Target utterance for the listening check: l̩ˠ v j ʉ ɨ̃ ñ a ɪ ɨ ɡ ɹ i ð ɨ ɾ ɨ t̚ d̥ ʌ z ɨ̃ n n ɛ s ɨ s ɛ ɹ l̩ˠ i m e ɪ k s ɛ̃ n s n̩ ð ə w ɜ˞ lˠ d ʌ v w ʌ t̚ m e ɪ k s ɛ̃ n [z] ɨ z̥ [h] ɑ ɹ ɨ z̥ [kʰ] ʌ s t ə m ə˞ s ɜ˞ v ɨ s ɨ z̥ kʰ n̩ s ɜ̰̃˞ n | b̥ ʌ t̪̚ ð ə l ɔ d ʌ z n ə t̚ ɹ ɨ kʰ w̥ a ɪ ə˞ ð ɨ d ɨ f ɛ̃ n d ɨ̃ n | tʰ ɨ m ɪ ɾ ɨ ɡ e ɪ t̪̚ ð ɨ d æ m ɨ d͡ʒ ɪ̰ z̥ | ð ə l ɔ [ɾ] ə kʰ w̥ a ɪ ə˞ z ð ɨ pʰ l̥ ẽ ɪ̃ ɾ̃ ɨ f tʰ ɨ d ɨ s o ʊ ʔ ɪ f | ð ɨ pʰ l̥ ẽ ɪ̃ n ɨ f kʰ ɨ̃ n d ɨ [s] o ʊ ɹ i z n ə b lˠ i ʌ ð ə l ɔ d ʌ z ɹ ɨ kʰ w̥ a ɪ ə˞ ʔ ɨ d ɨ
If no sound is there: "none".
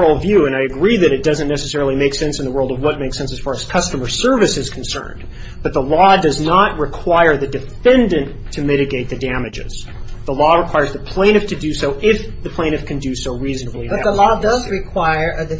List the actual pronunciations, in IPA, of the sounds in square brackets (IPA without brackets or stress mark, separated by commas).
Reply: s, f, kʰ, ɹ, s